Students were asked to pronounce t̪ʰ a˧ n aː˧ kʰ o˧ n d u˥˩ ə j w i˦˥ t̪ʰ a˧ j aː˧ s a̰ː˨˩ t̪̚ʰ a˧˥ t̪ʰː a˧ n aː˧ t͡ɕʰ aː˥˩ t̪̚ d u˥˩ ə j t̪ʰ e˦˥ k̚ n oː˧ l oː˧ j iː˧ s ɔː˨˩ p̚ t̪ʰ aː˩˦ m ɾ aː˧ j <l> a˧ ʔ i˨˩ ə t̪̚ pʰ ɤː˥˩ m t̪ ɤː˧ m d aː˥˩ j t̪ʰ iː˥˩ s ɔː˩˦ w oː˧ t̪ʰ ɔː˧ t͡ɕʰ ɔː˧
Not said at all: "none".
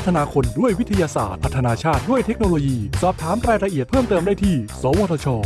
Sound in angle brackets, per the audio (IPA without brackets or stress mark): ɾ